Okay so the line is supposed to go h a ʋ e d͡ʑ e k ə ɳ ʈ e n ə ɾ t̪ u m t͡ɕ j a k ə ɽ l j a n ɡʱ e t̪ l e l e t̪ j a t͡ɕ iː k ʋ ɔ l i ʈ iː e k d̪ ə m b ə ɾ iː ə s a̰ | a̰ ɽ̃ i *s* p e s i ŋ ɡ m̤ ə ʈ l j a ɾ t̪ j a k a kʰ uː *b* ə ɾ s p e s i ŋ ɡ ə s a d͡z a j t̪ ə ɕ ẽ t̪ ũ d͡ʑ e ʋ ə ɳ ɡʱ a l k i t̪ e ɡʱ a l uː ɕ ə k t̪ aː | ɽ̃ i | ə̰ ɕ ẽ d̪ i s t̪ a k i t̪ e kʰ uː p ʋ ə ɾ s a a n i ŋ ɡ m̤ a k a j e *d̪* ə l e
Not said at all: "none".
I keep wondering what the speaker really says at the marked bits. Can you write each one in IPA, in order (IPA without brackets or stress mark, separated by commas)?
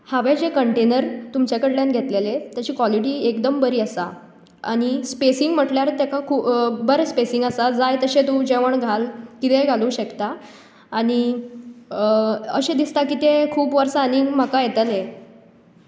s, b, t̪